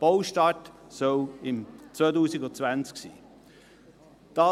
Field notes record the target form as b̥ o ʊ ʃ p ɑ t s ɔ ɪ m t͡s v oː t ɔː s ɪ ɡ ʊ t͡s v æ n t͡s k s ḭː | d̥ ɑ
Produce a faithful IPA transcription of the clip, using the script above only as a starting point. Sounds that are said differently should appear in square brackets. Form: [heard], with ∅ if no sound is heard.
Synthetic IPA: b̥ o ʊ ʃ [t] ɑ t s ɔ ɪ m t͡s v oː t [uː] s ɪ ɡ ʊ t͡s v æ n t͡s k s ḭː | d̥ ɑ